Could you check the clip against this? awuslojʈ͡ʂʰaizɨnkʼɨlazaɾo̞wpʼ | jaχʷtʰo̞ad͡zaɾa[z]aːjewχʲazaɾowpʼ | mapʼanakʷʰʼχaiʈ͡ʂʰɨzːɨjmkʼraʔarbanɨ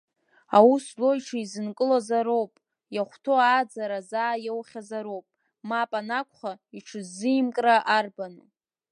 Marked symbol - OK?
yes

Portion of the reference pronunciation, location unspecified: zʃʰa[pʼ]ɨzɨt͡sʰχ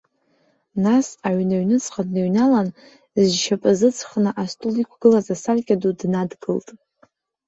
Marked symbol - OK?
yes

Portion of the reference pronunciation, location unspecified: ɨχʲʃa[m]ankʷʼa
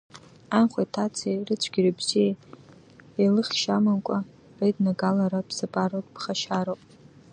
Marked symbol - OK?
yes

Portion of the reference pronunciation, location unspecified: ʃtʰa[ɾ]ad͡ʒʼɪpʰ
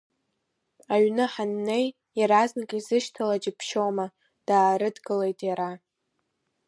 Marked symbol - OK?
no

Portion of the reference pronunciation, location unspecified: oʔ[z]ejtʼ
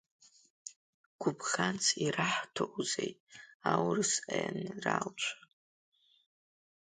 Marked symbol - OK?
yes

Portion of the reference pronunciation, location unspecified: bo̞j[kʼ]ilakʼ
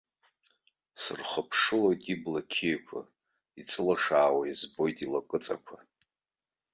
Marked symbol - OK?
no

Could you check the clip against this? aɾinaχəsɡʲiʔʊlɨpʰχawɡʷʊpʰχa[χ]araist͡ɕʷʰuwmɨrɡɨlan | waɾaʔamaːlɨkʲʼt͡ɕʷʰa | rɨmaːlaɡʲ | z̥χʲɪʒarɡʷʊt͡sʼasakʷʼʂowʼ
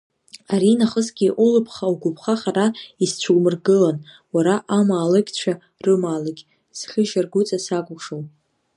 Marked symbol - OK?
yes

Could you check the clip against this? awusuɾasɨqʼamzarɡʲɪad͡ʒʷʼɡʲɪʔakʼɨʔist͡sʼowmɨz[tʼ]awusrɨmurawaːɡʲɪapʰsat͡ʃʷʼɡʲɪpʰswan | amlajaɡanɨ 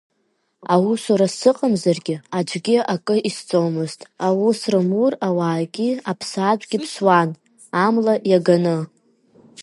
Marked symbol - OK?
yes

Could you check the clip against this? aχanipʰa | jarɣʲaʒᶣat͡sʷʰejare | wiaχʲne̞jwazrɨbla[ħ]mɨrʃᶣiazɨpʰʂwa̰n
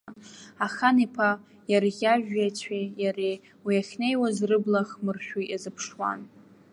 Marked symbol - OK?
no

